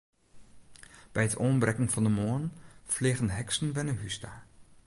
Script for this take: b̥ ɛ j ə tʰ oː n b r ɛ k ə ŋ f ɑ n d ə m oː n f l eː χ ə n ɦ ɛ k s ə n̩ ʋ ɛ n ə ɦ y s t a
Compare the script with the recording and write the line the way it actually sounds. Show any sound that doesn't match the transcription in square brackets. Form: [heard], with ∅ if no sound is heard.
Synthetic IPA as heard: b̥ ɛ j ə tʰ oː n b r ɛ k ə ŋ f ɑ n d ə m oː n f l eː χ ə n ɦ ɛ k s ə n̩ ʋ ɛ n ə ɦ y s t a